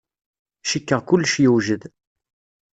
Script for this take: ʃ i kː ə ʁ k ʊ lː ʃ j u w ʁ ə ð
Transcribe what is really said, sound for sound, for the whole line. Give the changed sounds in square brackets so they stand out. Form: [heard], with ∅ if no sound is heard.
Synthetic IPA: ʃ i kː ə ʁ k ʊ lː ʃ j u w [ʒ] ə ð